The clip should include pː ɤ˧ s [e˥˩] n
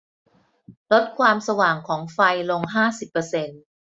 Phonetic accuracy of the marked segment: incorrect: e˧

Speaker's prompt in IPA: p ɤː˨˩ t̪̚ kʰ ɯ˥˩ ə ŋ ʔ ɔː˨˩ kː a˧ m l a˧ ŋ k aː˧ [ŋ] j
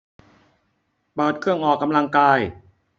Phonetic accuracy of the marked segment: incorrect: none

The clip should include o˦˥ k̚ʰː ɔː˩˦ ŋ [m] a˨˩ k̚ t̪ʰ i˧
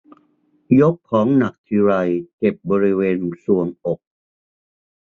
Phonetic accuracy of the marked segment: incorrect: n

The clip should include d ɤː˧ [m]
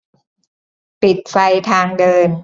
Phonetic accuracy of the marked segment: incorrect: n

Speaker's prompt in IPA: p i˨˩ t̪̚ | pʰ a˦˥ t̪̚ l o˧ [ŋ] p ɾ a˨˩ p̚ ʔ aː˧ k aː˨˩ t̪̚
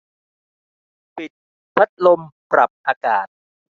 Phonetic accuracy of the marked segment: incorrect: m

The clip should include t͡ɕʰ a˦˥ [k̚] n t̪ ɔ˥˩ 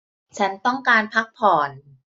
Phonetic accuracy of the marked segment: incorrect: none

